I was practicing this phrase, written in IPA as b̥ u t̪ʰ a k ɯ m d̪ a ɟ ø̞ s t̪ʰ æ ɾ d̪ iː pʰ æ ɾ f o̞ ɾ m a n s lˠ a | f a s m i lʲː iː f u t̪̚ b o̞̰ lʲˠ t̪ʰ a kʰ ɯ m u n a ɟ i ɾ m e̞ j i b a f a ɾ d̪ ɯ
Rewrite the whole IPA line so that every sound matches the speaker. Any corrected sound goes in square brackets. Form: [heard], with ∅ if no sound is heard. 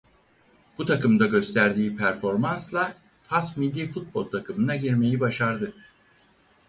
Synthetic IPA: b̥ u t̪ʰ a k ɯ m d̪ a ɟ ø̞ s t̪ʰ æ ɾ d̪ iː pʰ æ ɾ f o̞ ɾ m a n s lˠ a | f a s m i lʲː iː f u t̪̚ b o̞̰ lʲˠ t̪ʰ a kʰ ɯ m [ɯ] n a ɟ i ɾ m e̞ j i b a [ʃ] a ɾ d̪ ɯ